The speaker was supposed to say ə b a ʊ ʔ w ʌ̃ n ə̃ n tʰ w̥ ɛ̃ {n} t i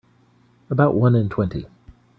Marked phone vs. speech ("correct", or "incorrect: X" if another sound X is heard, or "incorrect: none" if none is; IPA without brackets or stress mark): correct